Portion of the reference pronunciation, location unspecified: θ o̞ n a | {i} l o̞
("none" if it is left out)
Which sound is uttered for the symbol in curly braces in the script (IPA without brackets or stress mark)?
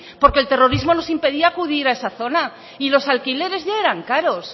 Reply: i